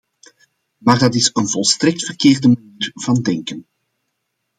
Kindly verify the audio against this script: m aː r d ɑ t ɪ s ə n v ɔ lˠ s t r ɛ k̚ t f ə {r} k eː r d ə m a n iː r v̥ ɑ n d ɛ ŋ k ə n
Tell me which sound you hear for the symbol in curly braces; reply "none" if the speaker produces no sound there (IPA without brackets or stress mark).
r